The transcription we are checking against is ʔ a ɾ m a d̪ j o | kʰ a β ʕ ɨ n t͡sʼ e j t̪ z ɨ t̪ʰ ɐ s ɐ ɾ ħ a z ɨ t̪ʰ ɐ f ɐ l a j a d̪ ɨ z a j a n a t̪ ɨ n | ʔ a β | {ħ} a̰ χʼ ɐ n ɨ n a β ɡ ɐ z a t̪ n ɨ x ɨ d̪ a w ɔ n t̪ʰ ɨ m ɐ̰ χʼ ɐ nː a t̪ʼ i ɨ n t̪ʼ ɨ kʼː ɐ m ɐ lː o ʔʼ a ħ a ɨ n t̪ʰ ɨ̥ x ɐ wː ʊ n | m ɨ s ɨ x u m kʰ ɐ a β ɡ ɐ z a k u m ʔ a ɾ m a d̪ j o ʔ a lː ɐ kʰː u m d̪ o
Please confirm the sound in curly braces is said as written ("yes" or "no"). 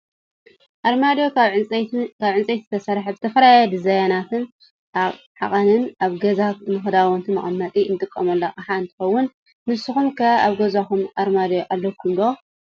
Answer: yes